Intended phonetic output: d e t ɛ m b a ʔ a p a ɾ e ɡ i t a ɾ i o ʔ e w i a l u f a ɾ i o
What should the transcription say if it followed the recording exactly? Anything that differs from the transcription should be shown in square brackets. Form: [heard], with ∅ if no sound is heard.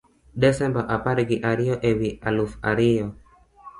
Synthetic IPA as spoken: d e [s] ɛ m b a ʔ a p a ɾ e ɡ i [ʔ] a ɾ i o ʔ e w i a l u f a ɾ i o